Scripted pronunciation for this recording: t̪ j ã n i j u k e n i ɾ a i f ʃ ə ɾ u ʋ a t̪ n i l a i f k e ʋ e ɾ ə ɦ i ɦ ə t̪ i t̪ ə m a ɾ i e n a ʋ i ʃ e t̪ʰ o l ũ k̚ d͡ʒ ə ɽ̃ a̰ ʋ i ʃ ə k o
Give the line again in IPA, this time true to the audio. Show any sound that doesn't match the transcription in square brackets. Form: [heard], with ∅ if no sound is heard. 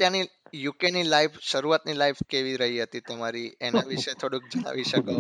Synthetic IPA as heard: t̪ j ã n i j u k e n i [l] a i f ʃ ə ɾ u ʋ a t̪ n i l a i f k e ʋ [i] ɾ ə ɦ i ɦ ə t̪ i t̪ ə m a ɾ i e n a ʋ i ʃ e t̪ʰ o [ɽ] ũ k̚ d͡ʒ ə ɽ̃ a̰ ʋ i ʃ ə k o